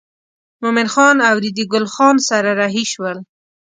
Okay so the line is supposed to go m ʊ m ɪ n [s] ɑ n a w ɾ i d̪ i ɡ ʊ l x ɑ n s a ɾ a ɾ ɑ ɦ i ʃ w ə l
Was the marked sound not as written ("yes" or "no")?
yes